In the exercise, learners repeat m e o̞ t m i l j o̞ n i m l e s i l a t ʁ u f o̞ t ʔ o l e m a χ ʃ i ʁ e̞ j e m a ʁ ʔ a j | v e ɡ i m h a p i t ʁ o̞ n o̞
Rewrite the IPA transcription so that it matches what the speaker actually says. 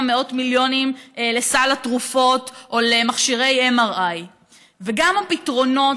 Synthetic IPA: m e o̞ t m i l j o̞ n i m l e s a l a t ʁ u f o̞ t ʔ o l e m a χ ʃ i ʁ e̞ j e m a ʁ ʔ a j | v e ɡ a m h a p i t ʁ o̞ n o̞